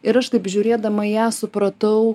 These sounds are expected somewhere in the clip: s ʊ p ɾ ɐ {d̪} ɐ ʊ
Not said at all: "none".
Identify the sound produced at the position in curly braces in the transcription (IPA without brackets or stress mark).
t̪